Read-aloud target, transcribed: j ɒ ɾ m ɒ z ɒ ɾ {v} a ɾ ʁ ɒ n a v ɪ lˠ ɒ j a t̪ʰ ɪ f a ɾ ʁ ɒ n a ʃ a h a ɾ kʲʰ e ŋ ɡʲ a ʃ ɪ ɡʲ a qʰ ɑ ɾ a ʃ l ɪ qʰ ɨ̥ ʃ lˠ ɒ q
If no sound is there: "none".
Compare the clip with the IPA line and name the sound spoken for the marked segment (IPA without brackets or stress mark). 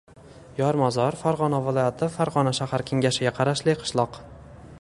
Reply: f